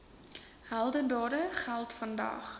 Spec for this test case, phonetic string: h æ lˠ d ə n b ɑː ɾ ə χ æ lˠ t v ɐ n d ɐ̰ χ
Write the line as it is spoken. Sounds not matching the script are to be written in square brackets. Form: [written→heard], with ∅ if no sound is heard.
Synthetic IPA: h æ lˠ d ə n [b→d] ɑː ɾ ə χ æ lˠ t [v→f] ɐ n d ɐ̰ χ